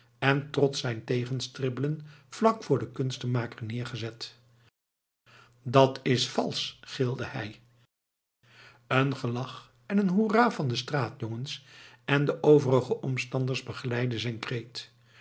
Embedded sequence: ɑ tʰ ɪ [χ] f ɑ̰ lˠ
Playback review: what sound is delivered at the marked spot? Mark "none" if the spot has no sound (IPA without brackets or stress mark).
s